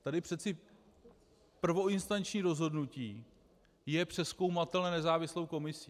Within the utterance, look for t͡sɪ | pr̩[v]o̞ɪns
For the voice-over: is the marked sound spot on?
yes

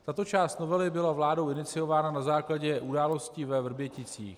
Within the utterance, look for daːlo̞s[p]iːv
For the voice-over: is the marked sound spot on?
no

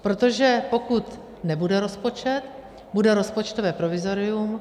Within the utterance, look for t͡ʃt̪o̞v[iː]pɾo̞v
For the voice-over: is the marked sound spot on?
no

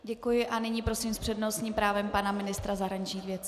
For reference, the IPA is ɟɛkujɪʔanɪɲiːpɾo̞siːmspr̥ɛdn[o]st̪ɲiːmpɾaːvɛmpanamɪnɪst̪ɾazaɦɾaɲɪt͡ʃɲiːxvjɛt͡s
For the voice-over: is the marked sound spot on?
yes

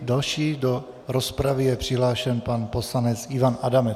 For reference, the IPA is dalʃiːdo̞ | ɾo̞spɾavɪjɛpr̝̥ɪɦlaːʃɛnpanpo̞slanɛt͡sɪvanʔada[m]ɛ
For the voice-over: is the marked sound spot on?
yes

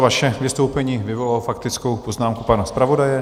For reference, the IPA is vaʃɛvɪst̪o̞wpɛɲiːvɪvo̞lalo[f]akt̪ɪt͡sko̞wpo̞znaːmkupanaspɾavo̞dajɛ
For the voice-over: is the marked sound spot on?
yes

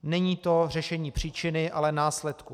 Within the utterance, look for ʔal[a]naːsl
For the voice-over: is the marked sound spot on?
no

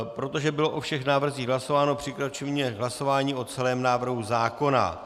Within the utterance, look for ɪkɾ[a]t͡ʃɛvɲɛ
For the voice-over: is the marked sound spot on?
yes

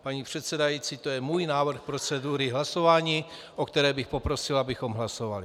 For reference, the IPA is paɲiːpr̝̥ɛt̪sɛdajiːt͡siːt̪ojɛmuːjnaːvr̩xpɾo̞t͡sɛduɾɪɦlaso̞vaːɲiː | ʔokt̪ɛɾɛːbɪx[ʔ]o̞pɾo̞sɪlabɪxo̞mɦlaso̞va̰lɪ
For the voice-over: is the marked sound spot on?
no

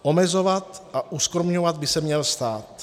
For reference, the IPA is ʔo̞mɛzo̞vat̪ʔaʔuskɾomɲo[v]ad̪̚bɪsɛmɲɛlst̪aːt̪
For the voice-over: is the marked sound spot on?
yes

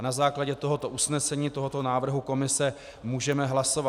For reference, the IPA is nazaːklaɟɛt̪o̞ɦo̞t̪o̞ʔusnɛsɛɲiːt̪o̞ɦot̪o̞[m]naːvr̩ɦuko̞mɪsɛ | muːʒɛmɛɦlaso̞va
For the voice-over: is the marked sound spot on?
no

